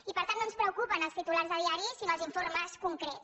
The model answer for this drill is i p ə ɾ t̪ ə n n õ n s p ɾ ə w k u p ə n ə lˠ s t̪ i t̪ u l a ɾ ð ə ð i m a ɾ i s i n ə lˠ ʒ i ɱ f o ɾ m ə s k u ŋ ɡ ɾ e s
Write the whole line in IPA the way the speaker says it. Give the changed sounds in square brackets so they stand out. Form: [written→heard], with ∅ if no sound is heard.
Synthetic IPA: i p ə ɾ t̪ [ə→a] n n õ n s p ɾ ə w k u p ə n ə lˠ s t̪ i t̪ u l a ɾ [ð→z] ə ð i [m→∅] a ɾ i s i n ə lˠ [ʒ→z] i ɱ f o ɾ m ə s k u ŋ [ɡ→k] ɾ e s